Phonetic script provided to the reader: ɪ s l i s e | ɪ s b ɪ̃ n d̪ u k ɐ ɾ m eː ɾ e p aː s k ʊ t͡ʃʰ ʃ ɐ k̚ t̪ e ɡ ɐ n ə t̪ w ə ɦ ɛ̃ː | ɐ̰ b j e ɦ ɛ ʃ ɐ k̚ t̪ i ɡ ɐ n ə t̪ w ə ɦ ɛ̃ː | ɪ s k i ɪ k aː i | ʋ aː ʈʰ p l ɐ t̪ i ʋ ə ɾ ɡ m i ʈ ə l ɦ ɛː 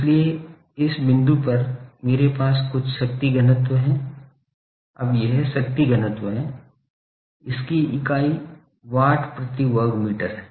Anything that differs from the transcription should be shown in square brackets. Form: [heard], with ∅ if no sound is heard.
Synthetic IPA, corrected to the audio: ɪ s l i [∅] e | ɪ s b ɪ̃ n d̪ u [p] ɐ ɾ m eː ɾ e p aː s k ʊ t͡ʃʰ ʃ ɐ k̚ t̪ [i] ɡ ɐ n ə t̪ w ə ɦ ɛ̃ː | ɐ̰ b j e ɦ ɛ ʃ ɐ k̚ t̪ i ɡ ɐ n ə t̪ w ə ɦ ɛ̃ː | ɪ s k i ɪ k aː i | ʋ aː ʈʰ p [ɾ] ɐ t̪ i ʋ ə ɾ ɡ m [iː] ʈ ə [ɾ] ɦ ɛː